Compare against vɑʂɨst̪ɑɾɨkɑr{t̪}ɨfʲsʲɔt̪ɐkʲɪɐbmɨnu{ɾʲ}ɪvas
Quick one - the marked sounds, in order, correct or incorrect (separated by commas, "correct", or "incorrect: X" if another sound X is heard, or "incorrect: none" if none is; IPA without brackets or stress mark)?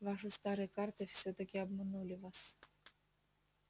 correct, incorrect: lʲ